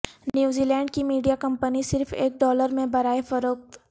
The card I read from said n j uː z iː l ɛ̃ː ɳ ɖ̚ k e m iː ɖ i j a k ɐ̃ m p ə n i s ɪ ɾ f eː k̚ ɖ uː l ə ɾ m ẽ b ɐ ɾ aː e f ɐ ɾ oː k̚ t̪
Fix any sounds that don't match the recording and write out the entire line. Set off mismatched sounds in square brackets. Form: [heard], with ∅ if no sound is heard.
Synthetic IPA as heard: n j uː z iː l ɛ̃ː ɳ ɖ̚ k [i] m iː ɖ i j a k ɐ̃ m p ə n i s ɪ ɾ f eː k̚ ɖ [ɔː] l ə ɾ m ẽ b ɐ ɾ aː e f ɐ ɾ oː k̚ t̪